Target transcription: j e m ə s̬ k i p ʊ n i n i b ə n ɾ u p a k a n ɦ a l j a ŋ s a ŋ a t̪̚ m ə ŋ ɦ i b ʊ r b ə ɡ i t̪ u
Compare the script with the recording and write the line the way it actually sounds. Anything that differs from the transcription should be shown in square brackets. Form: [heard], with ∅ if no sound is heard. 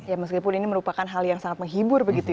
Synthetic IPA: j [a] m ə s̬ k i p ʊ n i n i [m] ə [∅] ɾ u p a k a n ɦ a l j a ŋ s a ŋ a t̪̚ m ə ŋ ɦ i b ʊ r b ə ɡ i t̪ u

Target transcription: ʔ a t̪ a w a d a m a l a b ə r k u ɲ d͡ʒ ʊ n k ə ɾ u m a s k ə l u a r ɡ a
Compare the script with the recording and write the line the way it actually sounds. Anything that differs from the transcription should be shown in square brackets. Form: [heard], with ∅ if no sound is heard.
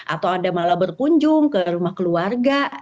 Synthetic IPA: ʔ a t̪ a w a d a m a l a b ə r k u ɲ d͡ʒ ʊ [ŋ] k ə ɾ u m a [h] k ə l u a r ɡ a

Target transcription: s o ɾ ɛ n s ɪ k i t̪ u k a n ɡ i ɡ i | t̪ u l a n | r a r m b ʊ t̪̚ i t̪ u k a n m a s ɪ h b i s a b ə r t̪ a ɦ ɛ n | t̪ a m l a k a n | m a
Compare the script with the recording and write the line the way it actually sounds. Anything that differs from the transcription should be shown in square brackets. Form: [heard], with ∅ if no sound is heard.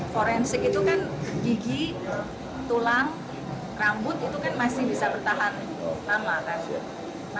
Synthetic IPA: [f] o ɾ ɛ n s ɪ k i t̪ u k a n ɡ i ɡ i | t̪ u l a [ŋ] | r a [∅] m b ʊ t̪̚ i t̪ u k a n m a s ɪ h b i s a b ə r t̪ a ɦ [a] n | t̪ a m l a k a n | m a

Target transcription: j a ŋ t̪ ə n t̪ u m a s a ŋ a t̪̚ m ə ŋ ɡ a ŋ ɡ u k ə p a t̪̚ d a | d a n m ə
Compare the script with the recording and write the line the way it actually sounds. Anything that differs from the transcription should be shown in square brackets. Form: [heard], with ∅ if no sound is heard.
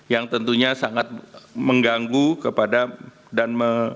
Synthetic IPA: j a ŋ t̪ ə n t̪ u [ɲ] a s a ŋ a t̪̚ m ə ŋ ɡ a ŋ ɡ u k ə p a [∅] d a | d a n m ə

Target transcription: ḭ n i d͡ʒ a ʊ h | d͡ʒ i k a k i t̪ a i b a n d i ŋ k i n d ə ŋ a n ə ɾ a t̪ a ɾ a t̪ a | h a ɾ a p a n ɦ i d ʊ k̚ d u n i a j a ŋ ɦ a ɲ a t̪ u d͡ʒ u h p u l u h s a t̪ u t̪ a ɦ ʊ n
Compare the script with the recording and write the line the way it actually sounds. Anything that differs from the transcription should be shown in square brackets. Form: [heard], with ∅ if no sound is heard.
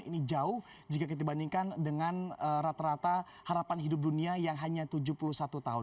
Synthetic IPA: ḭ n i d͡ʒ a ʊ h | d͡ʒ i k a k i t̪ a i b a n d i ŋ k [a] n d ə ŋ a n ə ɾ a t̪ a ɾ a t̪ a | h a ɾ a p a n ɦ i d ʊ [p̚] d u n i a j a ŋ ɦ a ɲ a t̪ u d͡ʒ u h p u l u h s a t̪ u t̪ a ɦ ʊ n

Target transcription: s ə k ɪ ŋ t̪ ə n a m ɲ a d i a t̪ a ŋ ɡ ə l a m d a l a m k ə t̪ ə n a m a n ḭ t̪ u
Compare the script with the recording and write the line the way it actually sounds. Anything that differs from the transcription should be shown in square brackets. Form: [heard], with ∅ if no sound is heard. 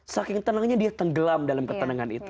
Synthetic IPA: s [a] k ɪ ŋ t̪ ə n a [ŋ] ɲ a d i a t̪ [ə] ŋ ɡ ə l a m d a l a m k ə t̪ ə n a [ŋ] a n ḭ t̪ u

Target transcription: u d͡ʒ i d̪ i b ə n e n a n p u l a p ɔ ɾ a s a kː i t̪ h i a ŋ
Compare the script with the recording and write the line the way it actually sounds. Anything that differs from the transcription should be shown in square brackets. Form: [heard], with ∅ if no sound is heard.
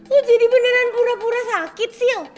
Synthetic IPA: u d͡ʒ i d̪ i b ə n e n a n p u [ɾ] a p [u] ɾ a s a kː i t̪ [s] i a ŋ

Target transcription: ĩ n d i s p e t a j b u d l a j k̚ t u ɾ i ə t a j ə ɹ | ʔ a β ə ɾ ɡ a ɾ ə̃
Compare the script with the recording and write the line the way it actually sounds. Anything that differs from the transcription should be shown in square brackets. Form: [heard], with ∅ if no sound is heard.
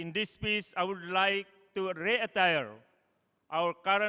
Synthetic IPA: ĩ n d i s p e [s] a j [w] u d l a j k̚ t u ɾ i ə t a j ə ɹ | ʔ a [w] ə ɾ [k] a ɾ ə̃

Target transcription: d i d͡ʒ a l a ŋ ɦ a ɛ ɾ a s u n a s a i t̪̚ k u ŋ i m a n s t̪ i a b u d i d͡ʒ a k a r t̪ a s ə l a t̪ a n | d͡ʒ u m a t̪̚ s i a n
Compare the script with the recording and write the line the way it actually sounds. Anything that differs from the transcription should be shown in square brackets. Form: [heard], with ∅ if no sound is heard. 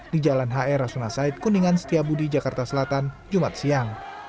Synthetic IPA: d i d͡ʒ a l a [n] ɦ a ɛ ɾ a s u n a s a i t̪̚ k u [n] i [ŋ] a n s t̪ i a b u d i d͡ʒ a k a r t̪ a s ə l a t̪ a n | d͡ʒ u m a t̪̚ s i a [ŋ]

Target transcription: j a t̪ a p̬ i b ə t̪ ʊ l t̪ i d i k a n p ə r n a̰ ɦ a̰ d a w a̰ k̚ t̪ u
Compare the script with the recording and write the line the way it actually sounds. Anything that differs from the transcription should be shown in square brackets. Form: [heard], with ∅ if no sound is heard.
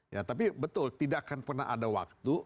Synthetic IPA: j a t̪ a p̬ i b ə t̪ ʊ l t̪ i d [a] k a n p ə r n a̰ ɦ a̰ d a w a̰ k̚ t̪ u

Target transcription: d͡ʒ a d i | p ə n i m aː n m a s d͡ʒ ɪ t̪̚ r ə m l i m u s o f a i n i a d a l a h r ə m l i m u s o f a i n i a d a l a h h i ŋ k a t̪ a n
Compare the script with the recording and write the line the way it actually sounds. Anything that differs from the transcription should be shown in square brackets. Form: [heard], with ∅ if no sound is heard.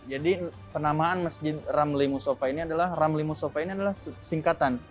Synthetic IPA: d͡ʒ a d i | p ə n [a] m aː n m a s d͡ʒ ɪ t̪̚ r [a] m l i m u s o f a i n i a d a l a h r [a] m l i m u s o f a i n i a d a l a h [s] i ŋ k a t̪ a n

